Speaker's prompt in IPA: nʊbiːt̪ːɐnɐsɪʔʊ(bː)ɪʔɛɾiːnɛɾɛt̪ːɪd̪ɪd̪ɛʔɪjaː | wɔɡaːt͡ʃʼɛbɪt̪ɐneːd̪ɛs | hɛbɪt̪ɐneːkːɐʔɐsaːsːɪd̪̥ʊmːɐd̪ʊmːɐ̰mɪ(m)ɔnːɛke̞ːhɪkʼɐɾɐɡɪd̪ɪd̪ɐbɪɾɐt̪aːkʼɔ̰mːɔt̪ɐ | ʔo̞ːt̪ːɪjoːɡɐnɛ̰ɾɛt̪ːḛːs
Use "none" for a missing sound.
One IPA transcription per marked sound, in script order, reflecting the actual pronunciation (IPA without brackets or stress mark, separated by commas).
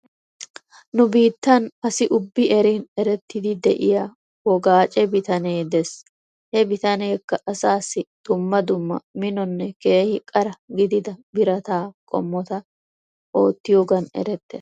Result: bː, n